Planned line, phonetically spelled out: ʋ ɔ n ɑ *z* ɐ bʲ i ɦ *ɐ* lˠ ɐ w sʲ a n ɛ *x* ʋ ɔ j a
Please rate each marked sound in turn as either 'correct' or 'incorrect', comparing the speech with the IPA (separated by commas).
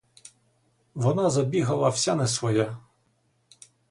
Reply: correct, correct, incorrect